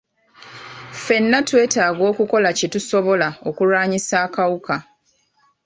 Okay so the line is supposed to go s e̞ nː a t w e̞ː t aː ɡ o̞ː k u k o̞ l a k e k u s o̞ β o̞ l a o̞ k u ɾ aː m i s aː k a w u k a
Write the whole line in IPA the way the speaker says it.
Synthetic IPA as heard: f e̞ nː a t w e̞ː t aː ɡ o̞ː k u k o̞ l a c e t u s o̞ β o̞ l a o̞ k u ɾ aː ɲ i s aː k a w u k a